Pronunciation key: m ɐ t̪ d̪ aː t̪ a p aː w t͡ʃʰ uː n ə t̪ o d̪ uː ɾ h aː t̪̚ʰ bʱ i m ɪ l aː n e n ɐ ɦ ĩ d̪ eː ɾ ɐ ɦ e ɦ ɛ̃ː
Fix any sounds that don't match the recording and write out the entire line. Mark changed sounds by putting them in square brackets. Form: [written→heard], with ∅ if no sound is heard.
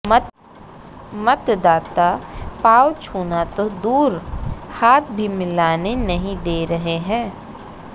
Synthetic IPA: m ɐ t̪ d̪ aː t̪ a p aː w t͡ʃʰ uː n [ə→a] t̪ o d̪ uː ɾ h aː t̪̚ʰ bʱ i m ɪ l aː n e n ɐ ɦ ĩ d̪ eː ɾ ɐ ɦ e ɦ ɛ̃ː

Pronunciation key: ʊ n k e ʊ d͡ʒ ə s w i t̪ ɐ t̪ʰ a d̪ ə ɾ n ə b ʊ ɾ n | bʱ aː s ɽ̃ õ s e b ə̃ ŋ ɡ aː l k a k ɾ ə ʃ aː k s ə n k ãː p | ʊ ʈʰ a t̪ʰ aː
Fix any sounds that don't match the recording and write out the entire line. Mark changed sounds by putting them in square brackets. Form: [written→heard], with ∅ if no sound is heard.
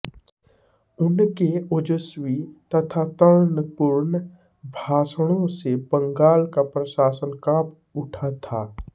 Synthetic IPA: ʊ n k e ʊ d͡ʒ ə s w i t̪ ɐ t̪ʰ a [d̪→t̪] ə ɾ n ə [b→p] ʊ ɾ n | bʱ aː s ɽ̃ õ s e b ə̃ ŋ ɡ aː l k a [k→p] ɾ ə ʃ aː [k→∅] s ə n k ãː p | ʊ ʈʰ a t̪ʰ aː

